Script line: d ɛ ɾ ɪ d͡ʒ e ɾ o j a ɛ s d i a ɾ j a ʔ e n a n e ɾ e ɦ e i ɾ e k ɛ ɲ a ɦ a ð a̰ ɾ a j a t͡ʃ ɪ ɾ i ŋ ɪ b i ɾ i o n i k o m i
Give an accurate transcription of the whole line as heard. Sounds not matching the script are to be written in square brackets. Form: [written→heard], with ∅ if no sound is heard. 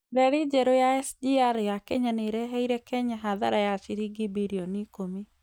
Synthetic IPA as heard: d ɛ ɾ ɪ d͡ʒ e ɾ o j a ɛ s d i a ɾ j a [ʔ→k] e [n→ɲ] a n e ɾ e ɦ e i ɾ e k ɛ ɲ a ɦ a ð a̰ ɾ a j a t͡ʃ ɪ ɾ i [ŋ→ɡ] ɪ b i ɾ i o n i k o m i